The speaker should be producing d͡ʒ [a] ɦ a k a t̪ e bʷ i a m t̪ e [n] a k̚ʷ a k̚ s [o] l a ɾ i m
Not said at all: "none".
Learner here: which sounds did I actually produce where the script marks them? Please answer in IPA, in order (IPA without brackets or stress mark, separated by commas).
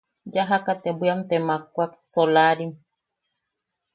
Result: a, m, o